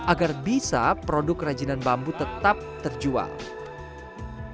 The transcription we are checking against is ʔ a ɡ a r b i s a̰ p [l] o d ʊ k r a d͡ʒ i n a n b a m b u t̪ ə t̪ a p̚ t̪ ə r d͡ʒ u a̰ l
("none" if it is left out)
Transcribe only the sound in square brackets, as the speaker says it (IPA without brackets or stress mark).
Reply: ɾ